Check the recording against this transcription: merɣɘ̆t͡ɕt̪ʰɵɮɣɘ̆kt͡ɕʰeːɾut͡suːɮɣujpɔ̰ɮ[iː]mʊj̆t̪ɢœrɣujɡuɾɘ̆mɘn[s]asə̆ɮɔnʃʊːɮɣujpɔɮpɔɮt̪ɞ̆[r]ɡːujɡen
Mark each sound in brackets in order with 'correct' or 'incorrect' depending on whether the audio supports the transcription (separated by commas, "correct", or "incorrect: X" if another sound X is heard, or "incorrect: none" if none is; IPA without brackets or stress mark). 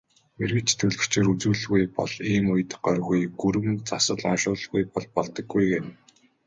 correct, incorrect: t͡s, incorrect: none